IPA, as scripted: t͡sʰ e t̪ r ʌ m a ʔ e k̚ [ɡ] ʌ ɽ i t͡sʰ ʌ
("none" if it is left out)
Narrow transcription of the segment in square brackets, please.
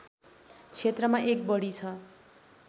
b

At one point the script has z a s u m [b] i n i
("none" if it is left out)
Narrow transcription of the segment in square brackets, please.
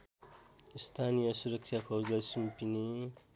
p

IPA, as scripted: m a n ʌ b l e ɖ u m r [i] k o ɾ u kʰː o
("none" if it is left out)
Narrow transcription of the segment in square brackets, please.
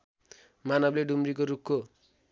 i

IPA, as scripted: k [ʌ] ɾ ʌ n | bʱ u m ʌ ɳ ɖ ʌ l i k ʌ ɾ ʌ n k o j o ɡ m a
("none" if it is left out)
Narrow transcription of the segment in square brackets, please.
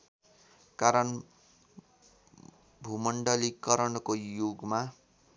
a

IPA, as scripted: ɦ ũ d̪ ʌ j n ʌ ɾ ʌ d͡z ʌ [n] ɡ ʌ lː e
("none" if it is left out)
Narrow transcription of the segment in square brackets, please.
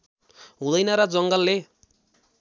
ŋ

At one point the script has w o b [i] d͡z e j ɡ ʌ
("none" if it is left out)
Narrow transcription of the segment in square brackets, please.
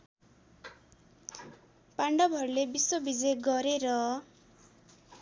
i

